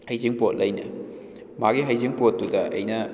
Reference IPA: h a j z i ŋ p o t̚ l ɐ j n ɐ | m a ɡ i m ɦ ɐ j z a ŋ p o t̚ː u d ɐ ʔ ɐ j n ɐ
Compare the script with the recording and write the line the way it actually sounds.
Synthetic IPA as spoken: h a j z i ŋ p o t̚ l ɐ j n ɐ | m a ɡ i ɦ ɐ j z i ŋ p o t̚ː u d ɐ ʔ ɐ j n ɐ